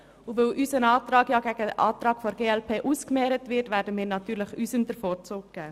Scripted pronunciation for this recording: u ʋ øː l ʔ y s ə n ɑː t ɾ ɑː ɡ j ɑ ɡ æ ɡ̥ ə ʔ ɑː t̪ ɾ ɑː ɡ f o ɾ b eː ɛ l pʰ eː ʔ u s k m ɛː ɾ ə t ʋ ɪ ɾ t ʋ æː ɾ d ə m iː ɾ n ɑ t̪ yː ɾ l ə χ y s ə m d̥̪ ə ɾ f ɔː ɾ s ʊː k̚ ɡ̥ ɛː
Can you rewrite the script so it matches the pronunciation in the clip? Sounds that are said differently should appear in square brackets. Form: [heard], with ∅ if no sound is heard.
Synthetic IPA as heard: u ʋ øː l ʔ y s ə n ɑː t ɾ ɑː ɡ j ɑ ɡ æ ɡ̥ ə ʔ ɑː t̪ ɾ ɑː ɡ f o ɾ [ɡ] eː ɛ l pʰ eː ʔ u s k m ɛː ɾ ə t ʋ ɪ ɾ t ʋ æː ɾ d ə m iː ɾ n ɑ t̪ yː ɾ l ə χ y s ə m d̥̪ ə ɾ f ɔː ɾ [t͡s] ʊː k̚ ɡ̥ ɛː